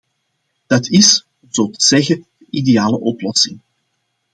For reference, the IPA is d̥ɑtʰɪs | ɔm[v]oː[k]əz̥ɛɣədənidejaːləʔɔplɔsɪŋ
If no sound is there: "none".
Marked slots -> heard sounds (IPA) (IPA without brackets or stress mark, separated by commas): z, t